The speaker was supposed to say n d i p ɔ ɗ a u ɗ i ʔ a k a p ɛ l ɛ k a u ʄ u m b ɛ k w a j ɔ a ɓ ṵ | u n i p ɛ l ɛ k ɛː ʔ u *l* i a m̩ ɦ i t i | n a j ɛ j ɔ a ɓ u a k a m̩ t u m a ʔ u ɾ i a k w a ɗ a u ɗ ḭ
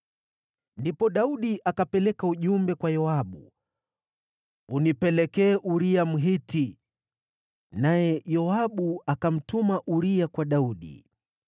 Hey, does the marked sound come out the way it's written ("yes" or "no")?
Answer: no